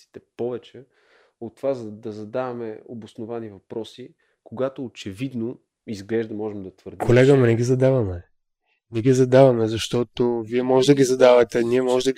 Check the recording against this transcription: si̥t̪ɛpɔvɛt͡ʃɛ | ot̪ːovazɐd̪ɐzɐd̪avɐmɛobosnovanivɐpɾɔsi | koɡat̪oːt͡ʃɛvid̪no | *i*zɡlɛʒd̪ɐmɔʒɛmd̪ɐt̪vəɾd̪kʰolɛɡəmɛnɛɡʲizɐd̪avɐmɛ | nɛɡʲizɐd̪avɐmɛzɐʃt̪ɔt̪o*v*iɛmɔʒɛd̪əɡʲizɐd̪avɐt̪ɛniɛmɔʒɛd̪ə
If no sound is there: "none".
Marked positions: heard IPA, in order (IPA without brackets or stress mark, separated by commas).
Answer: i, v